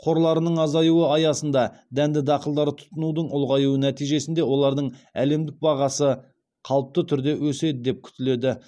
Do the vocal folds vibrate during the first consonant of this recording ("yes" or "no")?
no